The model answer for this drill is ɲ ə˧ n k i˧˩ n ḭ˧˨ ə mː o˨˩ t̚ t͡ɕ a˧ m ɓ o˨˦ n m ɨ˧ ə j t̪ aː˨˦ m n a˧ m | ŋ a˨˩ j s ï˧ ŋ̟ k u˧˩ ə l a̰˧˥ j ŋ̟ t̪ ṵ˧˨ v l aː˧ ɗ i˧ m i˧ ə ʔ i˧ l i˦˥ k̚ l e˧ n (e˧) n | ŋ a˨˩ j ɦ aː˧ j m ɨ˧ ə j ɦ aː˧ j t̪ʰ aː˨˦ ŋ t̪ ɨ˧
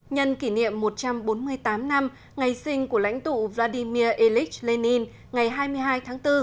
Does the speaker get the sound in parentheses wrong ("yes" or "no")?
yes